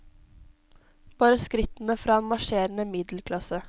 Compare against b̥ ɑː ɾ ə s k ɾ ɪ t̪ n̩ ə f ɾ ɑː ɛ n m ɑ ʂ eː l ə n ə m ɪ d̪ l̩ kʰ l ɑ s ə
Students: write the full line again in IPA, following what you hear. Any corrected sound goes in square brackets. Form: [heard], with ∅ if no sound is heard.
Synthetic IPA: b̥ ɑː ɾ ə s k ɾ ɪ t̪ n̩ ə f ɾ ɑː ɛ n m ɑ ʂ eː [ɾ] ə n ə m ɪ d̪ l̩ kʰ l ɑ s ə